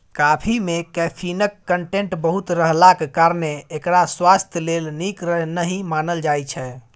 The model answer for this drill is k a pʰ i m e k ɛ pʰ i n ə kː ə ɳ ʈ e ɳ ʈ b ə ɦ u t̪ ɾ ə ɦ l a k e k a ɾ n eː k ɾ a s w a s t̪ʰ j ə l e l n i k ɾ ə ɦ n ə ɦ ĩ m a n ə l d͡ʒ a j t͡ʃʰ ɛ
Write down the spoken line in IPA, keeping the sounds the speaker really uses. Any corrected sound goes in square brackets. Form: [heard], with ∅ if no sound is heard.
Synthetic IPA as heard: k a pʰ i m e k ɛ pʰ i n ə kː ə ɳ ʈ e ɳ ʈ b ə ɦ u t̪ ɾ ə ɦ l a k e k a ɾ n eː k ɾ a s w a s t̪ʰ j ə l e l n i k ɾ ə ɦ n ə ɦ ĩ m a n ə l d͡ʒ a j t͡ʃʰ ɛ